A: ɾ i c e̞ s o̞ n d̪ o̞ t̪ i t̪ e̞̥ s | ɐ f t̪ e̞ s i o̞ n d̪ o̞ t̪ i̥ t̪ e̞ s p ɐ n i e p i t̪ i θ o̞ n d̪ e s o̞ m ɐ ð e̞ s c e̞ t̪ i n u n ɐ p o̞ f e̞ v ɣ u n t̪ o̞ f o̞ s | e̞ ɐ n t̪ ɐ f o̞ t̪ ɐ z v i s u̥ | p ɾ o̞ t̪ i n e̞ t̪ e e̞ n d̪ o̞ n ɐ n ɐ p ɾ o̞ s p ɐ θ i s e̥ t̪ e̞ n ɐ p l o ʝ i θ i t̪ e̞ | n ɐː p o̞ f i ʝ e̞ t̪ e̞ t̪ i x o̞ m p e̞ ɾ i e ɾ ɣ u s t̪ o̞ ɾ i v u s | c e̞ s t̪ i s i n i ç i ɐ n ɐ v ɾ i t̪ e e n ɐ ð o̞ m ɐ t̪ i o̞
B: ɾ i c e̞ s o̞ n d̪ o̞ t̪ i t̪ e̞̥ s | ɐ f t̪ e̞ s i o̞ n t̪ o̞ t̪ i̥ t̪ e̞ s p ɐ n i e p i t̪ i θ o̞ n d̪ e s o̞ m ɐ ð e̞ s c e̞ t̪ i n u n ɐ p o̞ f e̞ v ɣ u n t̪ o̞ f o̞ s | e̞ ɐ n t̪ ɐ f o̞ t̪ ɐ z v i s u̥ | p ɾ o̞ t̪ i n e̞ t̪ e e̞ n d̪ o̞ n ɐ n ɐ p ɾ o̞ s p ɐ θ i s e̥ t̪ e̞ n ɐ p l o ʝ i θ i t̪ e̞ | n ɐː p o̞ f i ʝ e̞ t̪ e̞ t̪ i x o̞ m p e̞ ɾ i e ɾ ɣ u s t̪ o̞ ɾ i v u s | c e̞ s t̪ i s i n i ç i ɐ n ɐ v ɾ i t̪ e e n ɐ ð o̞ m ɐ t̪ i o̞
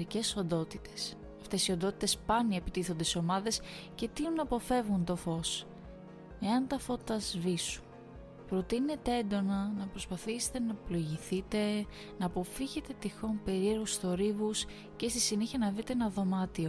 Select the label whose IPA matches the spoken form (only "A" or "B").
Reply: A